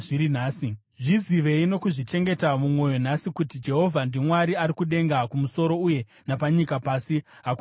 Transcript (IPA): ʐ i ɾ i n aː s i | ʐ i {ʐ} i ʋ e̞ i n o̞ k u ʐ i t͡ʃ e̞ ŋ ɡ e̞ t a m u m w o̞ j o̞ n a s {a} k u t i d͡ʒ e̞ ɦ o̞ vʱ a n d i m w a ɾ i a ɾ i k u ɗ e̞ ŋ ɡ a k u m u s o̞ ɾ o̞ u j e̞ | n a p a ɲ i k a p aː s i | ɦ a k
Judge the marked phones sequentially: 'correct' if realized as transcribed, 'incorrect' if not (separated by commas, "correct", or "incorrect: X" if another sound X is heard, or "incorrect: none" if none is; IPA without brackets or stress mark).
incorrect: z, incorrect: i